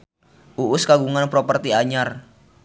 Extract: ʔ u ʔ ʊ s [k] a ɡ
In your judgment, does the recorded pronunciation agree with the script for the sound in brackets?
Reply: yes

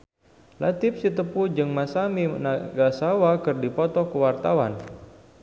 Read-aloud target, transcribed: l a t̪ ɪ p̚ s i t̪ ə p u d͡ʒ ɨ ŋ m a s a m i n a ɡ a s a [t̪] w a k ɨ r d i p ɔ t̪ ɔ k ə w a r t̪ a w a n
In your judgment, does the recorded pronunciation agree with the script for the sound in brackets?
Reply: no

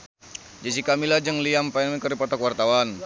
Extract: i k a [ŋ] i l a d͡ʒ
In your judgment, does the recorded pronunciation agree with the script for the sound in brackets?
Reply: no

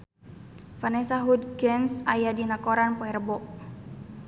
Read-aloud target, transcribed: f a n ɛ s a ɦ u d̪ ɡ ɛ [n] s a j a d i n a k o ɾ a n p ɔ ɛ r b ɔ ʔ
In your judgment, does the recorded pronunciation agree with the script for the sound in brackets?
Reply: yes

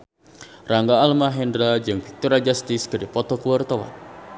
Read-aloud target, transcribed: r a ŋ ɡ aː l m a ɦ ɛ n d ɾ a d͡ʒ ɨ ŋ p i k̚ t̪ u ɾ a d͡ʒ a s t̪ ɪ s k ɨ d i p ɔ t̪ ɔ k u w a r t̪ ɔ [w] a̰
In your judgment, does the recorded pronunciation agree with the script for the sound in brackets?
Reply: yes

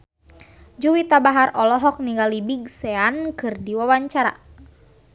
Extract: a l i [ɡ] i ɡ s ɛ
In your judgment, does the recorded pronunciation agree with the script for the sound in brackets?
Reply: no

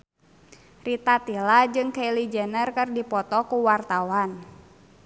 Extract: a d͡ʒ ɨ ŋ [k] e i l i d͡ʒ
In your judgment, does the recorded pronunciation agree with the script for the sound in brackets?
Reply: yes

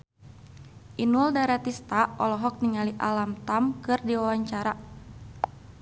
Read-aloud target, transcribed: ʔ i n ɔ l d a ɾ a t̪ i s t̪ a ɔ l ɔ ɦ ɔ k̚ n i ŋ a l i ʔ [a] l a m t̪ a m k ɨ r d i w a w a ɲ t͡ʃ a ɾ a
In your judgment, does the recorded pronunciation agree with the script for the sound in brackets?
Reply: yes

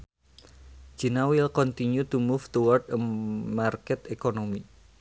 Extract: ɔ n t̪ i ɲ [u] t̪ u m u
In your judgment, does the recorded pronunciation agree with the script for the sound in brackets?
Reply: yes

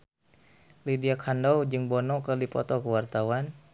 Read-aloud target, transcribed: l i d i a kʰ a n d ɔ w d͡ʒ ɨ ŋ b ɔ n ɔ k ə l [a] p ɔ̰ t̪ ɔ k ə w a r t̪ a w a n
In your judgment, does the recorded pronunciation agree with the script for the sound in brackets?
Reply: no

